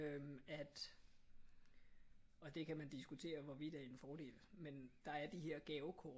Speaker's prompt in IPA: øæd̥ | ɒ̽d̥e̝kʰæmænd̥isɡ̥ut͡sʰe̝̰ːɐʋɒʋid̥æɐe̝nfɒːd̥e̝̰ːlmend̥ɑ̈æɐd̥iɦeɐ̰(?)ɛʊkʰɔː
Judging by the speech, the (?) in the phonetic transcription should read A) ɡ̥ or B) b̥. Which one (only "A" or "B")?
A